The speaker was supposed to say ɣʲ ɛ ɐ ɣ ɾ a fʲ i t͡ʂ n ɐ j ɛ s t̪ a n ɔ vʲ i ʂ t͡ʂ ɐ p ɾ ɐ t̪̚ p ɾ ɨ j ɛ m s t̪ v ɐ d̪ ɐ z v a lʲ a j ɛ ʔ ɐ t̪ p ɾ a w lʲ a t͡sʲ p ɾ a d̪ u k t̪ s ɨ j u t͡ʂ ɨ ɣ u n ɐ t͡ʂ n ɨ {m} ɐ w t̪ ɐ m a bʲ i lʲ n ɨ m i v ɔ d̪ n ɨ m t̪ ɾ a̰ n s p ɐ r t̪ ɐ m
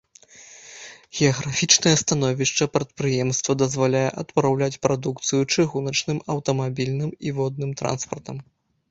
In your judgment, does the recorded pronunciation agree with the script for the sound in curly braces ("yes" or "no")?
yes